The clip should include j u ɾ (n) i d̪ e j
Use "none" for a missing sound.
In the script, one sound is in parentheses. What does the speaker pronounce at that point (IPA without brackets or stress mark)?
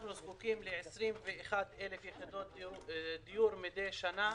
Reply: m